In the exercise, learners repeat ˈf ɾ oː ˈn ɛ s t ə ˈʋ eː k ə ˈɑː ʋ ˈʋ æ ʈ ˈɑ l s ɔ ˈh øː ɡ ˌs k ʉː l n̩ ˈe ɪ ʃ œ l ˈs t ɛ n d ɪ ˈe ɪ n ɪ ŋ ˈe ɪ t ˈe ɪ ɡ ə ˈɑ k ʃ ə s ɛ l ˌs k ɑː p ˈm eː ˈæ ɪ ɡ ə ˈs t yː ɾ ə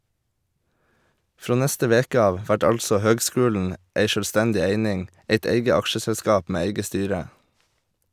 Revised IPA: ˈf ɾ oː ˈn ɛ s t ə ˈʋ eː k ə ˈɑː ʋ ˈʋ æ ʈ ˈɑ l s ɔ ˈh øː ɡ ˌs k ʉː l n̩ ˈe ɪ ʃ œ l ˈs t ɛ n d ɪ ˈe ɪ n ɪ ŋ ˈe ɪ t ˈe ɪ ɡ ə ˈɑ k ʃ ə s ɛ l ˌs k ɑː p ˈm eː ˈæ ɪ ɡ ə ˈs t yː ɾ ə

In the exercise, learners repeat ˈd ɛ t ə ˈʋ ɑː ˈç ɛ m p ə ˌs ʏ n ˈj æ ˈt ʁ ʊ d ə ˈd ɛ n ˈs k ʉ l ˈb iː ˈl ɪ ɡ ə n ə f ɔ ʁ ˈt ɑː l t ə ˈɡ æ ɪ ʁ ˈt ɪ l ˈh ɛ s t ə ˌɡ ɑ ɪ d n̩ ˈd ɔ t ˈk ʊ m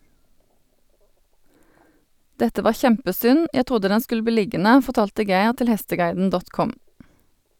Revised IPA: ˈd ɛ t ə ˈʋ ɑː ˈç ɛ m p ə ˌs ʏ n ˈj æ ˈt ʁ ʊ d ə ˈd ɛ n ˈs k ʉ l ˈb iː ˈl ɪ ɡ ə n ə f ɔ ʁ ˈt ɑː l t ə ˈɡ æ ɪ ʁ ˈt ɪ l ˈh ɛ s t ə ˌɡ ɑ ɪ d n̩ ˈd ɔ t ˈk ʊ m

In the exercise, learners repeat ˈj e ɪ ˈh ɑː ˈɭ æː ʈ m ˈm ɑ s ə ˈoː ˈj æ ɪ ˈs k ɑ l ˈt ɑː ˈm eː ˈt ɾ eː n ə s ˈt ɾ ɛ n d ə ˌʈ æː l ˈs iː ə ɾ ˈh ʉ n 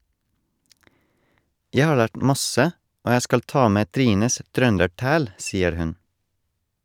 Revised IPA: ˈj æ ɪ ˈh ɑː ˈɭ æː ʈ m ˈm ɑ s ə ˈoː ˈj æ ɪ ˈs k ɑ l ˈt ɑː ˈm eː ˈt ɾ iː n ə s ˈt ɾ œ n d ə ˌʈ æː l ˈs iː ə ɾ ˈh ʉ n

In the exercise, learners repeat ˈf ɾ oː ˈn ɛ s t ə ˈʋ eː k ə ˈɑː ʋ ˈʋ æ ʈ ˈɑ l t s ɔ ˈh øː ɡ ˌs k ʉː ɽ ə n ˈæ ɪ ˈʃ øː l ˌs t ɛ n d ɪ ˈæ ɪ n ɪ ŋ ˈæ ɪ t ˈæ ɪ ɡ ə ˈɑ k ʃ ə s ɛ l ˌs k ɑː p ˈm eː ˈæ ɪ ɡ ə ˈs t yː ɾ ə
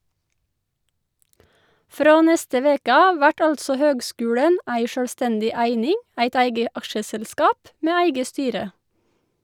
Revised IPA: ˈf ɾ oː ˈn ɛ s t ə ˈʋ eː k ə ˈɑː ʋ ˈʋ æ ʈ ˈɑ l t s ɔ ˈh øː ɡ ˌs k ʉː ɽ ə n ˈæ ɪ ˈʃ øː l ˌs t ɛ n d ɪ ˈæ ɪ n ɪ ŋ ˈæ ɪ t ˈæ ɪ ɡ ə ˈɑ k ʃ ə s ɛ l ˌs k ɑː p ˈm eː ˈæ ɪ ɡ ə ˈs t yː ɾ ə

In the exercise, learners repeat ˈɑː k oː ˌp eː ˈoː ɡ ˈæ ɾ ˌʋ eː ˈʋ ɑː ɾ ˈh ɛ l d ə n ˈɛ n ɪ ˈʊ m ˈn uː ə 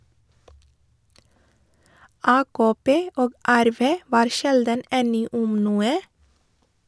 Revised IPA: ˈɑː k oː ˌp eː ˈoː ɡ ˈæ ɾ ˌʋ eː ˈʋ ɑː ɾ ˈʃ ɛ l d ə n ˈɛ n ɪ ˈʊ m ˈn uː ə

